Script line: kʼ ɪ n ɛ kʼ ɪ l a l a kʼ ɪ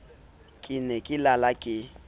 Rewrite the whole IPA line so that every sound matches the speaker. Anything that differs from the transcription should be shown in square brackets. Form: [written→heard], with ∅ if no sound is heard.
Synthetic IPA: kʼ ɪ n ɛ kʼ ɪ l a l a kʼ ɪ